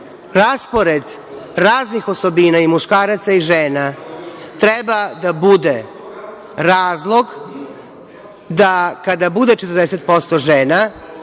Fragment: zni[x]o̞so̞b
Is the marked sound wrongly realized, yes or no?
no